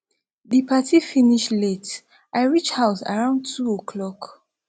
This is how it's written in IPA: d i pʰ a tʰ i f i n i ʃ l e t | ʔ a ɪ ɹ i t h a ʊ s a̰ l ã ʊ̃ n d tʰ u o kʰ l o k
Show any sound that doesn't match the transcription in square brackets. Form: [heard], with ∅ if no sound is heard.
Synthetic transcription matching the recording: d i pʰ a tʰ i f i n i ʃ l e t | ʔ a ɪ ɹ i [t͡ʃ] h a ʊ s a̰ [ɹ] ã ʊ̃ n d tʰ u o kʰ l [ɔ] k